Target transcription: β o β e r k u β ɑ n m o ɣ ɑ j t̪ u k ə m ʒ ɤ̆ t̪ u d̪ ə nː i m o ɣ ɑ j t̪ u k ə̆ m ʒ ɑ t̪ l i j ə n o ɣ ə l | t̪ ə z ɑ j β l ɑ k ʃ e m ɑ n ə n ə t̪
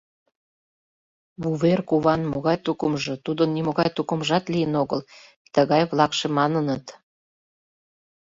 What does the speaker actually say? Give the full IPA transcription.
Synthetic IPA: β u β e r k u β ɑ n m o ɣ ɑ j t̪ u k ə m ʒ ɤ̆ t̪ u d̪ ə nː i m o ɣ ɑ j t̪ u k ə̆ m ʒ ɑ t̪ l i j ə n o ɣ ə l | t̪ ə ɣ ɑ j β l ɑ k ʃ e m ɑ n ə n ə t̪